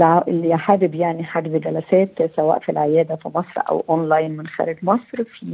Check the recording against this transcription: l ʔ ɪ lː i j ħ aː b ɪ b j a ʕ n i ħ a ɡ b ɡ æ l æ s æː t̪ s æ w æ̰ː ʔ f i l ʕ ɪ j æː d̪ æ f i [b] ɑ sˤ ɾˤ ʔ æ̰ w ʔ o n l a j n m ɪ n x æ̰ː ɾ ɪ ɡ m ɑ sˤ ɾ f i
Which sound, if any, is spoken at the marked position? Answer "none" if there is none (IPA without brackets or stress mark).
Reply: m